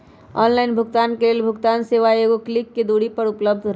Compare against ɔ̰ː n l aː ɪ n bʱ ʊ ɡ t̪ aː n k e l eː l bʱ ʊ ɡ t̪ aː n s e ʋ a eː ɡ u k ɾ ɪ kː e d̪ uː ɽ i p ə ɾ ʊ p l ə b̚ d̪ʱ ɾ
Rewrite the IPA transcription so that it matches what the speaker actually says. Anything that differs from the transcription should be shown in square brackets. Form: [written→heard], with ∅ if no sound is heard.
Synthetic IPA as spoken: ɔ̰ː n l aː ɪ n bʱ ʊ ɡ t̪ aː n k e l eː l bʱ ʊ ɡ t̪ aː n s e ʋ a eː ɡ [u→o] k [ɾ→l] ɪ kː e d̪ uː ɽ i p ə ɾ ʊ p l ə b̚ d̪ʱ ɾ